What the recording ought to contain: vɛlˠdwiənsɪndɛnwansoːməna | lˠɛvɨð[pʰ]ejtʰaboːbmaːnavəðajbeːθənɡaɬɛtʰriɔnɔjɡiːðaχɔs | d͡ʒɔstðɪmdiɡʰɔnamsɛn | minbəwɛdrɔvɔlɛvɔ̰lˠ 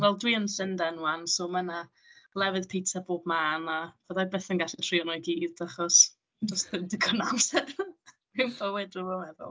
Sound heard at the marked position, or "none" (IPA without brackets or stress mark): pʰ